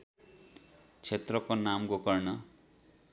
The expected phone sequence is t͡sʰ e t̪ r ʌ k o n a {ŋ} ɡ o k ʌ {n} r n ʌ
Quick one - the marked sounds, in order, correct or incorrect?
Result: incorrect: m, incorrect: none

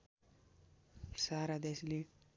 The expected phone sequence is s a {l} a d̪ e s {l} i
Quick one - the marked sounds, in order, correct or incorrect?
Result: incorrect: ɾ, correct

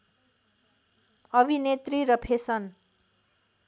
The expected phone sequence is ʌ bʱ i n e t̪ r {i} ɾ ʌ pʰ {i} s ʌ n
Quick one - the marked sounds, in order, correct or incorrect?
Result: correct, incorrect: e

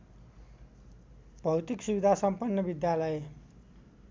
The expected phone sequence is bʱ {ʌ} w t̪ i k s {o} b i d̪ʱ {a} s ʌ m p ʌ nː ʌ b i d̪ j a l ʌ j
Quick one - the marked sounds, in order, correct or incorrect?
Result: correct, incorrect: u, correct

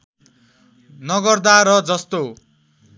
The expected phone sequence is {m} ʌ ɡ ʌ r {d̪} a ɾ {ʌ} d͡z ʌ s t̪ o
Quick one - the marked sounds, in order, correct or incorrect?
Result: incorrect: n, correct, correct

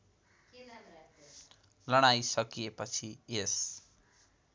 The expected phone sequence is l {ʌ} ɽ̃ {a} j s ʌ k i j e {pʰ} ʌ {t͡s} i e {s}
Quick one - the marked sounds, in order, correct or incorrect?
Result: correct, correct, incorrect: p, incorrect: t͡sʰ, correct

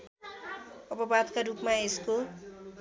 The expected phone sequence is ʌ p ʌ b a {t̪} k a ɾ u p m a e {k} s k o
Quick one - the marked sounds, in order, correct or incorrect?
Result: incorrect: d̪, incorrect: none

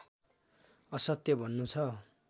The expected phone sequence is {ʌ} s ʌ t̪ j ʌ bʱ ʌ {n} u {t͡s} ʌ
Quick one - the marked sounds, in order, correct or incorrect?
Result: correct, incorrect: nː, incorrect: t͡sʰ

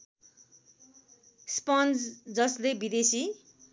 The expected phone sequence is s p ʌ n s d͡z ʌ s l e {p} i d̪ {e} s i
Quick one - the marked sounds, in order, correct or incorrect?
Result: incorrect: b, correct

